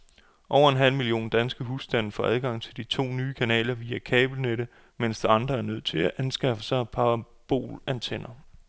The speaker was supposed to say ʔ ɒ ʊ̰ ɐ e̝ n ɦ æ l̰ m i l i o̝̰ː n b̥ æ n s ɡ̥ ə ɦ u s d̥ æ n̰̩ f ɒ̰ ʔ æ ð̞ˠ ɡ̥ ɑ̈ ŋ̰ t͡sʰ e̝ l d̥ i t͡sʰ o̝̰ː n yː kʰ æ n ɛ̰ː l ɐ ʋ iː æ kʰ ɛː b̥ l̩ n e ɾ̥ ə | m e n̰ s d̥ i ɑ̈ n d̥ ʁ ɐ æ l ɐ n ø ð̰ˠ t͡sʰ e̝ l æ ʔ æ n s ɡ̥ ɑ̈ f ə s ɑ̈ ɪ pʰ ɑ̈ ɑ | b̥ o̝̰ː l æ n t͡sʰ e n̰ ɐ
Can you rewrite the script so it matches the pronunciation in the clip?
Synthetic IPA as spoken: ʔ ɒ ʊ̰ ɐ e̝ n ɦ æ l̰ m i l i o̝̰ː n d̥ æ n s ɡ̥ ə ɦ u s d̥ æ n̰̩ f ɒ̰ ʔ æ ð̞ˠ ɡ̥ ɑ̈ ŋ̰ t͡sʰ e̝ l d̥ i t͡sʰ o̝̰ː n yː kʰ æ n ɛ̰ː l ɐ ʋ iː æ kʰ ɛː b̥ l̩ n e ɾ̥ ə | m e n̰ s d̥ i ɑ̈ n d̥ ʁ ɐ æ ɐ n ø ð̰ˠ t͡sʰ e̝ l æ ʔ æ n s ɡ̥ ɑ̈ f ə s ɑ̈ ɪ pʰ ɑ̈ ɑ | b̥ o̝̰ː l æ n t͡sʰ e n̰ ɐ